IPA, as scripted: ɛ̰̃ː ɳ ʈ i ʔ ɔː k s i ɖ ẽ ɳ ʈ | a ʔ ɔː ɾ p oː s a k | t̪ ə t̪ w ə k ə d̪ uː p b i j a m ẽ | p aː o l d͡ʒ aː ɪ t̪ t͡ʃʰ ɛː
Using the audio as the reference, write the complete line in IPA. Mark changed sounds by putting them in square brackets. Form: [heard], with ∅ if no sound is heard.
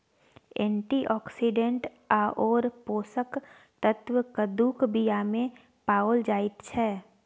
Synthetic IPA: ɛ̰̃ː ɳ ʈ i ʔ ɔː k s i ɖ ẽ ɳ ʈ | a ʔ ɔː ɾ p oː s [ə] k | t̪ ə t̪ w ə k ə d̪ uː [k] b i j a m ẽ | p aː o l d͡ʒ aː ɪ t̪ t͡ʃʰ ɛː